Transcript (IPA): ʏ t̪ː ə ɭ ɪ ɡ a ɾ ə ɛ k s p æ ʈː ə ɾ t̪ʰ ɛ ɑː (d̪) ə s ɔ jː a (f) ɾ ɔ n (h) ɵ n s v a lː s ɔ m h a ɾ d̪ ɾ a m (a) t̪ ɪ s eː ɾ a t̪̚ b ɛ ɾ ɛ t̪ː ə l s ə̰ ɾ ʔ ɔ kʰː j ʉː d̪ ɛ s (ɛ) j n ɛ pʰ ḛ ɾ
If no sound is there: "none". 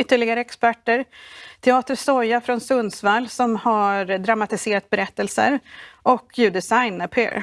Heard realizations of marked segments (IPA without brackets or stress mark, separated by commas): t̪, f, s, a, a